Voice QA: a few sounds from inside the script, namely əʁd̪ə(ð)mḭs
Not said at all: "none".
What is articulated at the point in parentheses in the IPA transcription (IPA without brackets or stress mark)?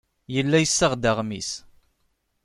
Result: ʁ